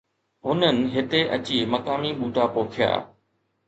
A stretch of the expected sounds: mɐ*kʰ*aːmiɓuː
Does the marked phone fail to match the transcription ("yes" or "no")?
yes